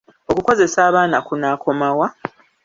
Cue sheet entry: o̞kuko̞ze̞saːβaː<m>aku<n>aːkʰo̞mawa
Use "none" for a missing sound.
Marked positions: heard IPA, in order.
n, n

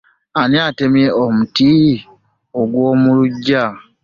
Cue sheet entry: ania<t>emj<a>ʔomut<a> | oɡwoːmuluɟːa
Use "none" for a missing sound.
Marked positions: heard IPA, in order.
t, e, i

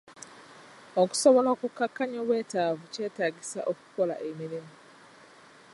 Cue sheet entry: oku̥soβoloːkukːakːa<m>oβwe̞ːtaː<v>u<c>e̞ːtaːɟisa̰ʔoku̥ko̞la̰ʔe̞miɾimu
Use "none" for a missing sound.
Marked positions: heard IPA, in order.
ɲ, v, c

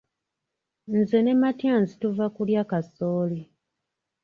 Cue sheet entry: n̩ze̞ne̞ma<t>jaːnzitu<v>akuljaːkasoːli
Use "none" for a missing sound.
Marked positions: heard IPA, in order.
t, v

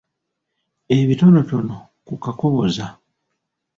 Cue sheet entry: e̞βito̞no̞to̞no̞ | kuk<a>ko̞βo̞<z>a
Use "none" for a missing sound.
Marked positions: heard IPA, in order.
a, z

